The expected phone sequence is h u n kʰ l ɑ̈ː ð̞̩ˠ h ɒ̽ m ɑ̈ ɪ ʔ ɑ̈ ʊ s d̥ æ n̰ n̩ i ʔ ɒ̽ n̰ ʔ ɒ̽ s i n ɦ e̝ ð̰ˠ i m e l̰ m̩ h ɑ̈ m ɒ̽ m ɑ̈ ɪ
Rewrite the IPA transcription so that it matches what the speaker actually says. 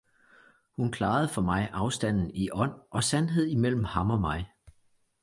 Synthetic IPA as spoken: h u n kʰ l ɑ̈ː ð̞̩ˠ f ɒ̽ m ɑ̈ ɪ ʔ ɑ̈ ʊ s d̥ æ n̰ n̩ i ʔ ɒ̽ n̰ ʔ ɒ̽ s æ n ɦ e̝ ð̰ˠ i m e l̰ m̩ h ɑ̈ m ɒ̽ m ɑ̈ ɪ